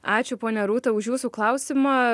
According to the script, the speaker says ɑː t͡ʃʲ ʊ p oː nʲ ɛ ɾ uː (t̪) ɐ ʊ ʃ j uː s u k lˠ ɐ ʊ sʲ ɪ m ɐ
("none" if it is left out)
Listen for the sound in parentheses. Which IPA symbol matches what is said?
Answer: t̪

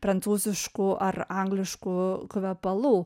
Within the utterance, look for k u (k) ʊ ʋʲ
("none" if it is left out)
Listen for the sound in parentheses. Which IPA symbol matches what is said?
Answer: k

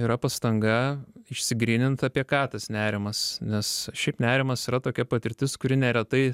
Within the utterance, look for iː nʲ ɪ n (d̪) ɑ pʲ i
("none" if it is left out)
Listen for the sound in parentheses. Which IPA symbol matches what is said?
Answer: t̪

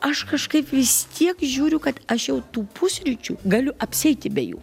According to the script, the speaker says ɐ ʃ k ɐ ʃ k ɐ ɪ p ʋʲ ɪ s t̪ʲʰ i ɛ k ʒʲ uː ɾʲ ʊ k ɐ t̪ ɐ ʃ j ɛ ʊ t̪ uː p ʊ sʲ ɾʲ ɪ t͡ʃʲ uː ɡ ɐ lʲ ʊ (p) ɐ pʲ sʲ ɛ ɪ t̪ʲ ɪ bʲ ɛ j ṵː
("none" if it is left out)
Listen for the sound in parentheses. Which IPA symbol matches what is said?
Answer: ʔ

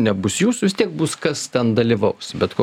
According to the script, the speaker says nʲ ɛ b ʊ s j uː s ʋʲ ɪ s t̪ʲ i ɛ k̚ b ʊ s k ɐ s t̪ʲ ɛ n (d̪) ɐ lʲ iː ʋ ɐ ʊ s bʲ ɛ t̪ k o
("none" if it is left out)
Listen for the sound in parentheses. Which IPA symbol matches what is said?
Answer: d̪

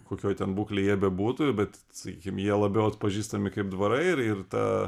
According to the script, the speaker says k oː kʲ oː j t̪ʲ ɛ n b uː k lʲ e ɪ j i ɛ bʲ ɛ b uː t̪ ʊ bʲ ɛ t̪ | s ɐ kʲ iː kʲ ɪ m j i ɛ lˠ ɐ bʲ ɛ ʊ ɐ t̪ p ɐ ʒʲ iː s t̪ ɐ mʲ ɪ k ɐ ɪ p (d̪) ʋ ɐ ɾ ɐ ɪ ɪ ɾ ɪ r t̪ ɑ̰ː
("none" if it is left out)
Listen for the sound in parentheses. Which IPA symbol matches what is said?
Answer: d̪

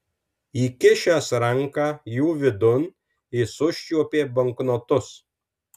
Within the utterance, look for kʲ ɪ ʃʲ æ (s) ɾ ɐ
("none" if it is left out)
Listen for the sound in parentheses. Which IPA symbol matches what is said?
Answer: s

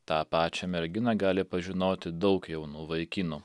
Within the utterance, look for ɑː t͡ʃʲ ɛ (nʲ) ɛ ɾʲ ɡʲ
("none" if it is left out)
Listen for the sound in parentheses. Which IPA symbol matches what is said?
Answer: mʲ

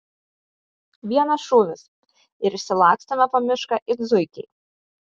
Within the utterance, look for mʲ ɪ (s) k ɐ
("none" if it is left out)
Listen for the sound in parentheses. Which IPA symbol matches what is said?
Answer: ʃ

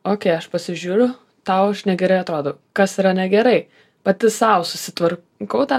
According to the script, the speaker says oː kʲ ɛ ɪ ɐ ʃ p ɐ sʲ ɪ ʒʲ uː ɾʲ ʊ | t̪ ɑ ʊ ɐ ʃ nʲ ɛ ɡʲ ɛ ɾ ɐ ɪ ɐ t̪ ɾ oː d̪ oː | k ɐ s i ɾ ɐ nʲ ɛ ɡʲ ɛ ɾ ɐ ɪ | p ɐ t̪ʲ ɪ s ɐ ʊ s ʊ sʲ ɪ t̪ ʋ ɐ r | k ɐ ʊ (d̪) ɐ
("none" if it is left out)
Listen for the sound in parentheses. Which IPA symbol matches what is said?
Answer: t̪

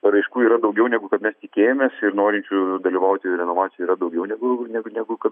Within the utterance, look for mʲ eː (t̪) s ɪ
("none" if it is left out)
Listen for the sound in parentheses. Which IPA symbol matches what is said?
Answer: none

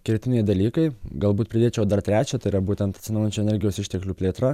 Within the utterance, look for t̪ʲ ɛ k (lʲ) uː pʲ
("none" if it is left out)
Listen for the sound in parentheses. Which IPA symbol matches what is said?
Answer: lʲ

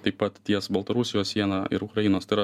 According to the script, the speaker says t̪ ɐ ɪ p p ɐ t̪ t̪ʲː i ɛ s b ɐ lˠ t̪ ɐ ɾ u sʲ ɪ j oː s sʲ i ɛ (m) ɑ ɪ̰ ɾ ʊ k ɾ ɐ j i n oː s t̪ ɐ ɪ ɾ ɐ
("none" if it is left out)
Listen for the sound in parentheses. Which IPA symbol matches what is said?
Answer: n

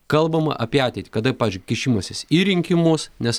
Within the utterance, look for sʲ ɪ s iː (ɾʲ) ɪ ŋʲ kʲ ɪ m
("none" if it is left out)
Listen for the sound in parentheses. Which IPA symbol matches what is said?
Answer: ɾʲ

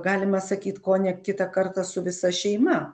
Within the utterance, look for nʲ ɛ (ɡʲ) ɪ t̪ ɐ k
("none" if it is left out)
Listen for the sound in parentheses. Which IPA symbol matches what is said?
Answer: kʲ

